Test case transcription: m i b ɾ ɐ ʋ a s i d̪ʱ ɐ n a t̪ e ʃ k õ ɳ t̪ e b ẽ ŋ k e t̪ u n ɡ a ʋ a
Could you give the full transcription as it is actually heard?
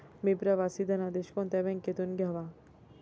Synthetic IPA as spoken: m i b ɾ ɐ ʋ a s i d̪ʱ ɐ n a d̪ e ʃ k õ n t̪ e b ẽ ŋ k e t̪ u n ɡ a ʋ a

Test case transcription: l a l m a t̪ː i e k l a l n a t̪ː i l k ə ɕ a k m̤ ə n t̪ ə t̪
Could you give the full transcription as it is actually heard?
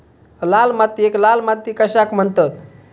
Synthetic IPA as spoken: l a l m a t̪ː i e k l a l m a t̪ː i k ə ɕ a k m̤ ə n t̪ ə t̪

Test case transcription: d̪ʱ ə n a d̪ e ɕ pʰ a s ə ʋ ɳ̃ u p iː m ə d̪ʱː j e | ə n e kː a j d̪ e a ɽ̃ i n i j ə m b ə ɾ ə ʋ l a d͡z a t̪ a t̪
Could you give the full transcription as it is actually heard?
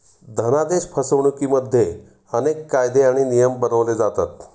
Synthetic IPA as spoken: d̪ʱ ə n a d̪ e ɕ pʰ ə s ə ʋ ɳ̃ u k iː m ə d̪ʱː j e | ə n e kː a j d̪ e a ɽ̃ i n i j ə m b ə ɾ ə ʋ l e d͡z a t̪ a t̪

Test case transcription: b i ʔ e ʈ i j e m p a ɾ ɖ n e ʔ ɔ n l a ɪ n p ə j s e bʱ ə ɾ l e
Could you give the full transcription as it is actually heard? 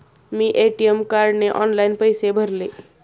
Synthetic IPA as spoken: m i ʔ e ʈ i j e m k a ɾ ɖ n e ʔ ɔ n l a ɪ n p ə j s e bʱ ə ɾ l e

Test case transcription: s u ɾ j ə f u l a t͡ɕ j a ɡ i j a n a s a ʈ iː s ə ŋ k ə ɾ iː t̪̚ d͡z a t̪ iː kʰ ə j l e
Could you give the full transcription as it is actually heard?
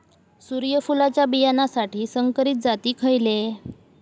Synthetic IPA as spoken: s u ɾ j ə f u l a t͡ɕ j a b i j a n a s a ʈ iː s ə ŋ k ə ɾ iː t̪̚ d͡z a t̪ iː kʰ ə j l e

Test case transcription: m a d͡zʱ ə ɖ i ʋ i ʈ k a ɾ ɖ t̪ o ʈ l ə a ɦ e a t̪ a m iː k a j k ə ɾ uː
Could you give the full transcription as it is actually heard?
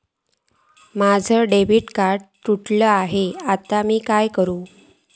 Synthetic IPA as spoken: m a d͡zʱ ə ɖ e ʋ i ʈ k a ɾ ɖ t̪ u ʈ l ə a ɦ e a t̪ a m iː k a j k ə ɾ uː

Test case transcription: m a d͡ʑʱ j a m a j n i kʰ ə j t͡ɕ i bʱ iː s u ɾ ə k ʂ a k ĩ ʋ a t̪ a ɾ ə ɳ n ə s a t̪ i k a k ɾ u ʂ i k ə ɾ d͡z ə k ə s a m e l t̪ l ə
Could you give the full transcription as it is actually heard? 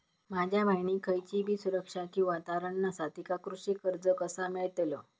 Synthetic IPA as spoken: m a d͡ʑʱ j a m a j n i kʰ ə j t͡ɕ i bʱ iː s u ɾ ə k ʂ a k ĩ ʋ a t̪ a ɾ ə ɳ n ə s a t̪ i k a k ɾ u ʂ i k ə ɾ d͡z ə k ə s a m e ɭ t̪ l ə

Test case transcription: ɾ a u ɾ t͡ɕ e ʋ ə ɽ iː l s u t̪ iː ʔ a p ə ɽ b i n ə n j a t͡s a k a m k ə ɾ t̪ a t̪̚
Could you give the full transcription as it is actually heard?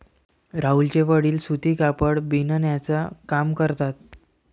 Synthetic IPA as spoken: ɾ a u l t͡ɕ e ʋ ə ɽ iː l s u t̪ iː k a p ə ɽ b i n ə n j a t͡s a k a m k ə ɾ t̪ a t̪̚

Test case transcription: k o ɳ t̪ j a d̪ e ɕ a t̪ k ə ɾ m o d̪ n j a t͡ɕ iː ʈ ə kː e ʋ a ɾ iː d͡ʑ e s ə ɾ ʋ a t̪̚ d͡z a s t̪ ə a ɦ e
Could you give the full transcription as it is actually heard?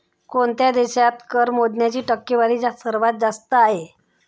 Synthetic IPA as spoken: k o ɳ t̪ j a d̪ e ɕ a t̪ k ə ɾ m o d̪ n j a t͡ɕ iː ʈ ə kː e ʋ a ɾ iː d͡ʑ a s ə ɾ ʋ a t̪̚ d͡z a s t̪ ə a ɦ e

